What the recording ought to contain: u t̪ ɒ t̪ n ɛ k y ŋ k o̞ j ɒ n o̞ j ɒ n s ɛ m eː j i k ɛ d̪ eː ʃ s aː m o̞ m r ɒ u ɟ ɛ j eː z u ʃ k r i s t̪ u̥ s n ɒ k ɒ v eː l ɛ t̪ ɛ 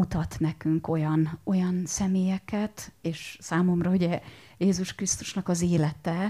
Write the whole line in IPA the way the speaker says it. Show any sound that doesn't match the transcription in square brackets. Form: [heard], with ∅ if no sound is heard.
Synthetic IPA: u t̪ ɒ t̪ n ɛ k y ŋ k o̞ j ɒ n o̞ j ɒ n s ɛ m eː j [ɛ] k ɛ [t̪] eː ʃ s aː m o̞ m r ɒ u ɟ ɛ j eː z u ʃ k r i s t̪ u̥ [ʃ] n ɒ k ɒ [z] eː l ɛ t̪ ɛ